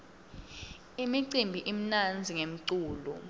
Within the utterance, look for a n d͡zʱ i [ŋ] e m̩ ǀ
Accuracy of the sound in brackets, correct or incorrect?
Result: correct